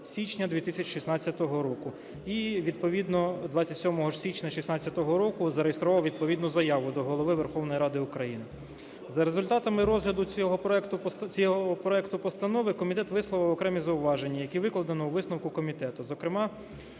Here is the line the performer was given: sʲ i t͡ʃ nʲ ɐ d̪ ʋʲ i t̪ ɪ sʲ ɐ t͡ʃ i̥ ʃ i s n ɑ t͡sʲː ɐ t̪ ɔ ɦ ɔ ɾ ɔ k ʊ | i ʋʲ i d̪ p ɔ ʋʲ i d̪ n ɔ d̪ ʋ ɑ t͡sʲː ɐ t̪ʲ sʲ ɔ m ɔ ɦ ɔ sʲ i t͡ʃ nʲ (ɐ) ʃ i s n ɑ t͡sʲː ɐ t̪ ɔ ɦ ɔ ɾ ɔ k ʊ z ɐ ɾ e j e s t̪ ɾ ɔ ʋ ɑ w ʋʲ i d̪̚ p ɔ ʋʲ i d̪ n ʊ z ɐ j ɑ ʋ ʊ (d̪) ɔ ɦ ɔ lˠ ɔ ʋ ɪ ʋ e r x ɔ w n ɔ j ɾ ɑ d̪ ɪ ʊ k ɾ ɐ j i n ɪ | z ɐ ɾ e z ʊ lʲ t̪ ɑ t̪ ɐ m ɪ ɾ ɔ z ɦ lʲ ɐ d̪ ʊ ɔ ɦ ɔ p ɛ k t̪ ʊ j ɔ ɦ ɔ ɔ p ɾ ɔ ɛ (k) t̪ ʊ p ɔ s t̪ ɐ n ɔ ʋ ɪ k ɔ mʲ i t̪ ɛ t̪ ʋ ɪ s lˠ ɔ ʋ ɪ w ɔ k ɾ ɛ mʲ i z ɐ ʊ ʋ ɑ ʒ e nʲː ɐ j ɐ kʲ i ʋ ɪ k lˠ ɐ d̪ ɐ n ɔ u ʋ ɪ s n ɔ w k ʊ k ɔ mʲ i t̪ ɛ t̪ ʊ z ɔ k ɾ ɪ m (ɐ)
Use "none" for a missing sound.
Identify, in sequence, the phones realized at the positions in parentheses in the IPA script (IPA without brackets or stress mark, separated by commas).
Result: ɐ, d̪, k, ɑ